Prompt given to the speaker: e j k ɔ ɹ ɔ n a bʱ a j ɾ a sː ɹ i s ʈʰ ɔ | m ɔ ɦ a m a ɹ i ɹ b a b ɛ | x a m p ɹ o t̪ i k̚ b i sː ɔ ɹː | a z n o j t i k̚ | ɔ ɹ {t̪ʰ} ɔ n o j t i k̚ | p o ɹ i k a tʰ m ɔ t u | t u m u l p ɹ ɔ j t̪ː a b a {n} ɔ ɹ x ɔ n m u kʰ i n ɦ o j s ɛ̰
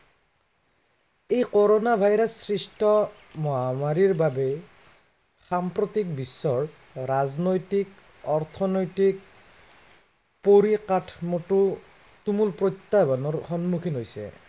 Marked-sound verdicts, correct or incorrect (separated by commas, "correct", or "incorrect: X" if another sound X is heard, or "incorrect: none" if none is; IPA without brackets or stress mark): correct, correct